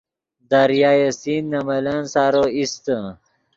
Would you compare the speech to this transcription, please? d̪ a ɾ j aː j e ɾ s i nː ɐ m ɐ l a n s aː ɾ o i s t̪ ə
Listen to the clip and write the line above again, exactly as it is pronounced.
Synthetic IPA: d̪ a ɾ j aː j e s i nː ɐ m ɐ l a n s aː ɾ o i s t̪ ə